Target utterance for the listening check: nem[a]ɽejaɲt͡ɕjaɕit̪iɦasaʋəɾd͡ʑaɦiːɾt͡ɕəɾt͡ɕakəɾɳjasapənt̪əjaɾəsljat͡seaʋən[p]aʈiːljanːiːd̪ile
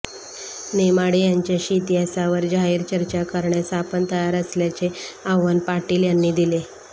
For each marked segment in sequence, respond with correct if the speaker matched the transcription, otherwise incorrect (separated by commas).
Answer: correct, correct